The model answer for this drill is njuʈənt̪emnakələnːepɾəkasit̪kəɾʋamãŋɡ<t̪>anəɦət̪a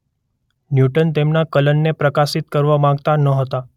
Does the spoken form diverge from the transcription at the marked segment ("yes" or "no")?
no